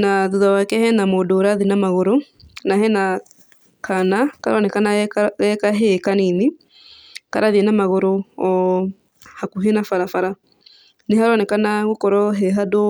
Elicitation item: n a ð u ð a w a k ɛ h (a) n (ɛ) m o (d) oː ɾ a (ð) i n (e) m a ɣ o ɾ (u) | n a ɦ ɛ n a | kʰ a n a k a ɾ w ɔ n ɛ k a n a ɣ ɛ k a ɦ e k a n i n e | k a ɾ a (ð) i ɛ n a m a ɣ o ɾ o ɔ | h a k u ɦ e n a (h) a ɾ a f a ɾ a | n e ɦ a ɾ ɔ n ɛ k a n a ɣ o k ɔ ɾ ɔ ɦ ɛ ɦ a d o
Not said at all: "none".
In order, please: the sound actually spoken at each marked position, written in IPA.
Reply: ɛ, a, d, ð, a, o, ð, f

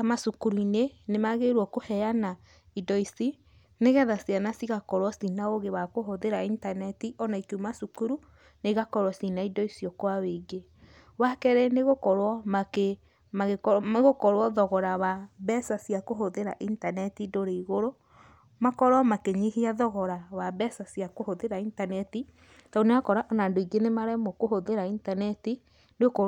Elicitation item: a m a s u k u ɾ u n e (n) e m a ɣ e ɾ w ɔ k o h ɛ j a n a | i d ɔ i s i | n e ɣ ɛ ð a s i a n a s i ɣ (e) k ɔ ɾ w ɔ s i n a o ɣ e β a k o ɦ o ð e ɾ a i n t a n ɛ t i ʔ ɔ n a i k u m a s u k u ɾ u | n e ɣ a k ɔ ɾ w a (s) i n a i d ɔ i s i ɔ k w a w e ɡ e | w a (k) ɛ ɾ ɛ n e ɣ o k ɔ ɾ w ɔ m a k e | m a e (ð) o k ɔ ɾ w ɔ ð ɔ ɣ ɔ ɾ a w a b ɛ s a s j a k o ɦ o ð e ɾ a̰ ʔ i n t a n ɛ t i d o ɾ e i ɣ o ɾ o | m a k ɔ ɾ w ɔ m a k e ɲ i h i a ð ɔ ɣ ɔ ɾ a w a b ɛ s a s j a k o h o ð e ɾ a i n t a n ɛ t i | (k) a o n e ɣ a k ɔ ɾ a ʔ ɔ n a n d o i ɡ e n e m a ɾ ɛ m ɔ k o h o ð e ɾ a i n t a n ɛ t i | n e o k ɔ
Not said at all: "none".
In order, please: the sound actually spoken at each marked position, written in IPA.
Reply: n, a, s, k, ɣ, t

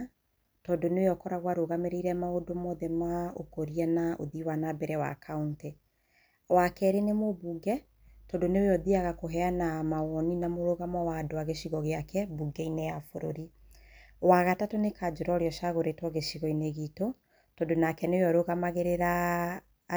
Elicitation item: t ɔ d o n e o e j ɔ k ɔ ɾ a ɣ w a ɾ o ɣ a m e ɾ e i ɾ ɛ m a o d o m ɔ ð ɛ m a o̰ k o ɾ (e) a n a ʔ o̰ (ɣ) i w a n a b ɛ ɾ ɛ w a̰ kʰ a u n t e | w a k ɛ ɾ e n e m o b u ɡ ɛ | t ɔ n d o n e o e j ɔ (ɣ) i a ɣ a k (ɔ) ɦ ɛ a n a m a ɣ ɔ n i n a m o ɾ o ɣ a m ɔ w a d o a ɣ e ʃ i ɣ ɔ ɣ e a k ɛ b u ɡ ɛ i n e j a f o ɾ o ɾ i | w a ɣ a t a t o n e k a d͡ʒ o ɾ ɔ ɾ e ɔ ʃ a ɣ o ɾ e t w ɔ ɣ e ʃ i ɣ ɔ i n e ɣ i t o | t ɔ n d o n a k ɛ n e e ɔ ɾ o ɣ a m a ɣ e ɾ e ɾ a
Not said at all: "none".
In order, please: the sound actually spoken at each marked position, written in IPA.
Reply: i, ð, ð, o

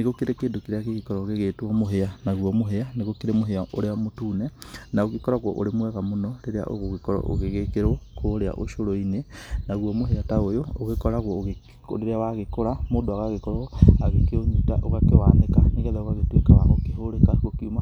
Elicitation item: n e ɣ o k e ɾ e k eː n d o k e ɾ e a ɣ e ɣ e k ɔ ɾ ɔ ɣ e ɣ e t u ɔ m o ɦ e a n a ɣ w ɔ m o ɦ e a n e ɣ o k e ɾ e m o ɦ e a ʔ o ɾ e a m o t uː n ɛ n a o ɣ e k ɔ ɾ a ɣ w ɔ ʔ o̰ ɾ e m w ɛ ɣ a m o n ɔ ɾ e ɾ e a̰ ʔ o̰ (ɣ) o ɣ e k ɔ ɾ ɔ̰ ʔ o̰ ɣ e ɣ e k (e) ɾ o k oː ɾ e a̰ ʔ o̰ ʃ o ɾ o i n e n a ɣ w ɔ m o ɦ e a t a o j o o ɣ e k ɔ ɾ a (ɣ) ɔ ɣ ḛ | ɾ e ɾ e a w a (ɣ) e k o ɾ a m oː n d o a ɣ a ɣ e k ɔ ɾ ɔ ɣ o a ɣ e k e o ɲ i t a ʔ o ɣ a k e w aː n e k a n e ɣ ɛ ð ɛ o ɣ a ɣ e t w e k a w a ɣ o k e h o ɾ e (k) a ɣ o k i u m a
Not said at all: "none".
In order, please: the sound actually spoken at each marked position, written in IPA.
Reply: ɣ, e, ɣ, ɣ, k

